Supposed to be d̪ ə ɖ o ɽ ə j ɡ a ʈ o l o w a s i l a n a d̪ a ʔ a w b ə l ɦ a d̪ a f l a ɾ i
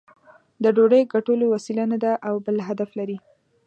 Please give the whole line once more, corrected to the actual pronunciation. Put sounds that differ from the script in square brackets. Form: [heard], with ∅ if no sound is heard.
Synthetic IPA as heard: d̪ ə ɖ o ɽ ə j ɡ a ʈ o l o w a s i l a n a d̪ a ʔ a w b ə l ɦ a d̪ a f l a ɾ i